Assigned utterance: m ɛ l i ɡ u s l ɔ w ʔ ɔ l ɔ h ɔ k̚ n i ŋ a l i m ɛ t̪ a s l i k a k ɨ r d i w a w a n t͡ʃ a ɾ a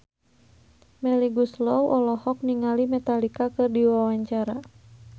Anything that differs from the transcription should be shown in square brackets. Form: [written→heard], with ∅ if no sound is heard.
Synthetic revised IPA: m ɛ l i ɡ u s l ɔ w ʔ ɔ l ɔ h ɔ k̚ n i ŋ a l i m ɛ t̪ a [s→∅] l i k a k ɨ r d i w a w a [n→ɲ] t͡ʃ a ɾ a